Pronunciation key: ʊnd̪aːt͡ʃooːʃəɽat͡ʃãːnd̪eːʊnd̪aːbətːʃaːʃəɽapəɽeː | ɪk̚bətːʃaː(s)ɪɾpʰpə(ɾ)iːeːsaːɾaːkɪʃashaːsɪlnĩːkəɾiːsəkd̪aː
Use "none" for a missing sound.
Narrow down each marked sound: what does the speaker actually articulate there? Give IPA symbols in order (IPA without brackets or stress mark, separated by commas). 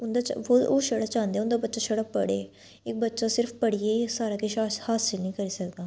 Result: s, ɽ